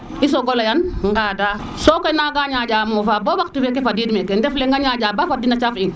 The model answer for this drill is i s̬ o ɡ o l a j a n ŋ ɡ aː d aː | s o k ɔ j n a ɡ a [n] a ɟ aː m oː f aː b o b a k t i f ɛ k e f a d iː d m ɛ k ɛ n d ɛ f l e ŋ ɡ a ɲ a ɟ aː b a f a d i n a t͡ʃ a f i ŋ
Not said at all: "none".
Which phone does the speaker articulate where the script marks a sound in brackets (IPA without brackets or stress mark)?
ɲ